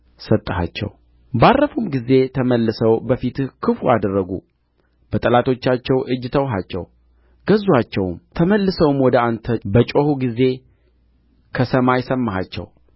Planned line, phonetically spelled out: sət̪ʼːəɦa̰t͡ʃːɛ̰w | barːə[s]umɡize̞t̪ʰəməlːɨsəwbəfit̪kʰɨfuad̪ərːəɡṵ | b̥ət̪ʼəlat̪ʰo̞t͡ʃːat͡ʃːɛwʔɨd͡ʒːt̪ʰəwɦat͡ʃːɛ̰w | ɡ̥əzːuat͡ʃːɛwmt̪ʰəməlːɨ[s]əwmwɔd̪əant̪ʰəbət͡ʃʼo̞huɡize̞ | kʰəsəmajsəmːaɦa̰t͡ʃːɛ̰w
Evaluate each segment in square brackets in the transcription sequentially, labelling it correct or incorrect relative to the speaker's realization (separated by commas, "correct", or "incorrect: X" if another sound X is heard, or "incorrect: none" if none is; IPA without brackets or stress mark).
incorrect: f, correct